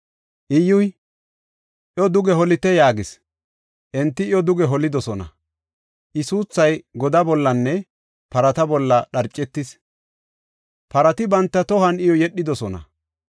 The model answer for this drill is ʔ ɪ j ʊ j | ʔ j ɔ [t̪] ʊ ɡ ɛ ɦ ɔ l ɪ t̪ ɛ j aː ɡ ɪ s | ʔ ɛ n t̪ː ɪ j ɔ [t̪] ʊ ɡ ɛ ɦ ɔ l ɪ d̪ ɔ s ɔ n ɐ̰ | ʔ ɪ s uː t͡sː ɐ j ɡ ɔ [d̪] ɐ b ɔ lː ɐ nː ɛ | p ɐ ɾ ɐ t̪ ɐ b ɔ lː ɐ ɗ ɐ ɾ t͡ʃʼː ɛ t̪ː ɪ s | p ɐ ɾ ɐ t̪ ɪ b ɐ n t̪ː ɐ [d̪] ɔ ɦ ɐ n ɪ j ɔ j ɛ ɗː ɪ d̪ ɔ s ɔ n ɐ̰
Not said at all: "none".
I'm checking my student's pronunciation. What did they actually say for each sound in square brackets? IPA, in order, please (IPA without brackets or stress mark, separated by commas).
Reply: d̪, d̪, d̪, t̪